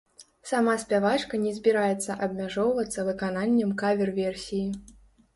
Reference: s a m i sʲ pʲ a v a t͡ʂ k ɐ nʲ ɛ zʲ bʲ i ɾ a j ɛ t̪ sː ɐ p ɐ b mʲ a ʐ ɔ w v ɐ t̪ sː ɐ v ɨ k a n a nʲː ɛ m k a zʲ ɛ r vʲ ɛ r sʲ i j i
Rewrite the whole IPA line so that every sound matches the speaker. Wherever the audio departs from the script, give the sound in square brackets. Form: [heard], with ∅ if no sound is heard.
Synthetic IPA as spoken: s a m [a] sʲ pʲ a v a t͡ʂ k ɐ nʲ ɛ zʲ bʲ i ɾ a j ɛ t̪ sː ɐ [ʔ] ɐ b mʲ a ʐ ɔ w v ɐ t̪ sː ɐ v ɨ k a n a nʲː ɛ m k a [vʲ] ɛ r vʲ ɛ r sʲ i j i